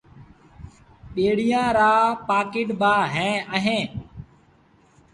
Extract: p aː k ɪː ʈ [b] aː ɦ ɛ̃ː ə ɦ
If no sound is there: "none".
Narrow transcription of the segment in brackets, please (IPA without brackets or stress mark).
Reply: b